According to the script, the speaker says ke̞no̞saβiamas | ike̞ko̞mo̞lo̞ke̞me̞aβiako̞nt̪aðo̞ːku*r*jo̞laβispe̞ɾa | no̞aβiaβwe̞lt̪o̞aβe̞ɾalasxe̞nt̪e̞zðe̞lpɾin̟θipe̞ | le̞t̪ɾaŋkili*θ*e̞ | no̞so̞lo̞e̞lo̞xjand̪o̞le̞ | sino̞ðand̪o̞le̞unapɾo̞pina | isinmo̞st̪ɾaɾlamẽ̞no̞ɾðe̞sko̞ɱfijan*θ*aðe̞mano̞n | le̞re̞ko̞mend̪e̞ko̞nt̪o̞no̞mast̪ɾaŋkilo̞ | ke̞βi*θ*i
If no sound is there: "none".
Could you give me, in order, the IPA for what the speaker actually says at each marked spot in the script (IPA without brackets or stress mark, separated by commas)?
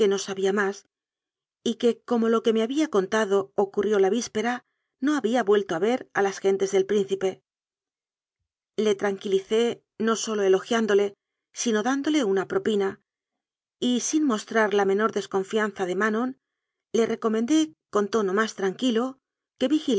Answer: r, θ, θ, x